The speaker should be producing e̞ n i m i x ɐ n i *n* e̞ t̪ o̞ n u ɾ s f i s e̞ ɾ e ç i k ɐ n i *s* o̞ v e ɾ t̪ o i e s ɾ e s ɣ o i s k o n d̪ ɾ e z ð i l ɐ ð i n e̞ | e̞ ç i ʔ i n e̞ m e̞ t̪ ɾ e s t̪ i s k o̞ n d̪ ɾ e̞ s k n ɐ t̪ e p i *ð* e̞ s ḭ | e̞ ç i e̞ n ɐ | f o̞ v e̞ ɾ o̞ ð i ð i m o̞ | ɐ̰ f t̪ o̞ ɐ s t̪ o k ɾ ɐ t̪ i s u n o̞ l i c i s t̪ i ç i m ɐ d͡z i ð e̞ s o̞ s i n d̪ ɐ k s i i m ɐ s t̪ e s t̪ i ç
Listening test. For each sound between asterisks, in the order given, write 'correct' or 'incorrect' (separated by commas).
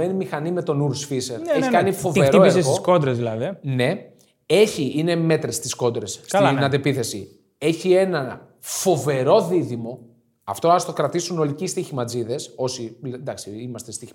incorrect, incorrect, incorrect